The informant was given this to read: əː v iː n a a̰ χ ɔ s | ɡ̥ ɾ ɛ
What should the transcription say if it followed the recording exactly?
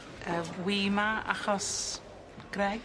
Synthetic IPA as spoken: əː w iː m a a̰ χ ɔ s | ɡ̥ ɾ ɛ